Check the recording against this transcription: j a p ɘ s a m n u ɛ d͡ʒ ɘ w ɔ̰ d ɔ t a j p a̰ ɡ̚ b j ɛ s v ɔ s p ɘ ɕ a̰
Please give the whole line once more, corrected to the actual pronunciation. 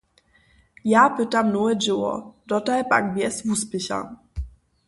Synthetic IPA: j a p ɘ t a m n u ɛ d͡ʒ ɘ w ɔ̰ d ɔ t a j p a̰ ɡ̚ b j ɛ s v u s p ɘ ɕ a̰